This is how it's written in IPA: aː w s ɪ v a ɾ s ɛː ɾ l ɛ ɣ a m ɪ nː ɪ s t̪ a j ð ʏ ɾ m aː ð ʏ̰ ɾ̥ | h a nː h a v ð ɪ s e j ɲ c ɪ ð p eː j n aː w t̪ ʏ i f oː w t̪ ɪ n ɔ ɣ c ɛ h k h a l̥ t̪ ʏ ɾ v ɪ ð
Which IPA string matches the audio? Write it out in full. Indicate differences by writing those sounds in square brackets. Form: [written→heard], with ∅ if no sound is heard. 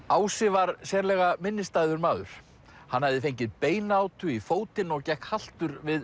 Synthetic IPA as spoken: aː w s ɪ v a ɾ s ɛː ɾ l ɛ ɣ a m ɪ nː ɪ s t̪ a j ð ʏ ɾ m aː ð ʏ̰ ɾ̥ | h a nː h a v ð ɪ [s→f] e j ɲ c ɪ ð p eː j n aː w t̪ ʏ i f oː w t̪ ɪ n ɔ ɣ c ɛ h k h a l̥ t̪ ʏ ɾ v ɪ ð